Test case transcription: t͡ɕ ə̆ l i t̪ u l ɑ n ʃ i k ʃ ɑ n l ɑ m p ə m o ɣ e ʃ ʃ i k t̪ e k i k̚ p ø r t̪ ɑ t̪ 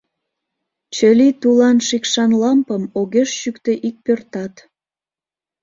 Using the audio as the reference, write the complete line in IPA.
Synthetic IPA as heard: t͡ɕ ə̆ l i t̪ u l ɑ n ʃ i k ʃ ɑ n l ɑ m p ə m o ɣ e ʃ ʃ y k t̪ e ʔ i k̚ p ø r t̪ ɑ t̪